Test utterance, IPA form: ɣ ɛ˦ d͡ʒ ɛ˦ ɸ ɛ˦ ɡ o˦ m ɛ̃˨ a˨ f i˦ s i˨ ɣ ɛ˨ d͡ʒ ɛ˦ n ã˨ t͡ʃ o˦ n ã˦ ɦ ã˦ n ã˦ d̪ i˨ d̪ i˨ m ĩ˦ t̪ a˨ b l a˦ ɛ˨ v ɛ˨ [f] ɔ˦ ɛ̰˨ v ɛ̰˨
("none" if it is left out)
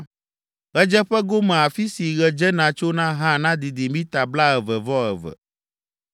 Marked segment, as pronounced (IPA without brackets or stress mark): v